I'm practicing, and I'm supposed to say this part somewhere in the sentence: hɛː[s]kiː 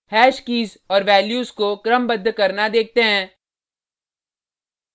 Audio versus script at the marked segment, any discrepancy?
yes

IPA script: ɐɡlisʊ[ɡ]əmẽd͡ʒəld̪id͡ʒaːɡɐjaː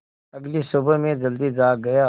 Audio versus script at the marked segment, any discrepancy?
yes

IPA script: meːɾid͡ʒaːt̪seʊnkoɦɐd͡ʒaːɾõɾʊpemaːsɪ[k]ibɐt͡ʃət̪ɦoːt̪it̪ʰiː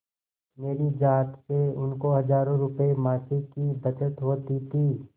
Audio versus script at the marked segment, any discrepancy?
no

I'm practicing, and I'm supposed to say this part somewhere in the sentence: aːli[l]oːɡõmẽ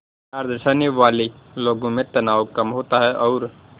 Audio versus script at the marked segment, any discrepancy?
no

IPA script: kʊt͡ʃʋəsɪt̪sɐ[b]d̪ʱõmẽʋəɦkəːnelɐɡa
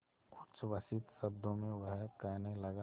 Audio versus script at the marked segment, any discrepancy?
no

